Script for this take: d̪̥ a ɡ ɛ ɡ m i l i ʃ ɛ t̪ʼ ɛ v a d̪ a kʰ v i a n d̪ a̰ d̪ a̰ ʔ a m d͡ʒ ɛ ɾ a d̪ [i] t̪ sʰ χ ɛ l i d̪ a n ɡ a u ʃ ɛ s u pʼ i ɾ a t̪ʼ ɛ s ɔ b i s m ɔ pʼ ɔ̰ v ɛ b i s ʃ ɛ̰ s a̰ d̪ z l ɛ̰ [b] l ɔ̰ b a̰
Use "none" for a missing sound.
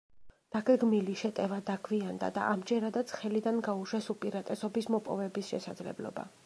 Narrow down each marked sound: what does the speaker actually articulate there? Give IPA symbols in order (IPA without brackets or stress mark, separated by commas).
a, b